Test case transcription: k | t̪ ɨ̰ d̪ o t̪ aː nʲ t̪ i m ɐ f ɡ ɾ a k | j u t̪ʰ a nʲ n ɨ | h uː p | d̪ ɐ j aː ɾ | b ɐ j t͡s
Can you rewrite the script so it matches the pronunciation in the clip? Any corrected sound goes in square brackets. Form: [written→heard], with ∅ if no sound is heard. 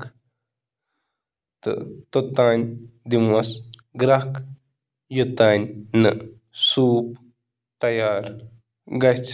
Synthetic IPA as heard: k | t̪ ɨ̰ [d̪→t̪] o t̪ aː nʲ [t̪→d̪] i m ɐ [f→s] ɡ ɾ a k | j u [t̪ʰ→t̪] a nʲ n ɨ | [h→s] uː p | [d̪→t̪] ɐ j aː ɾ | [b→ɡ] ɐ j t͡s